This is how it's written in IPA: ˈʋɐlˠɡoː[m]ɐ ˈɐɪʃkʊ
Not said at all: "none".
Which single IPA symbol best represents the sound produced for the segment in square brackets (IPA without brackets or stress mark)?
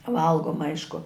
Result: m